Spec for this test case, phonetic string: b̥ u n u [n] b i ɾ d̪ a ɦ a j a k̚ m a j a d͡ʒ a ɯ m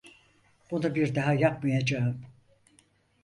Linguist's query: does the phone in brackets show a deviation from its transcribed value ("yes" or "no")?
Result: yes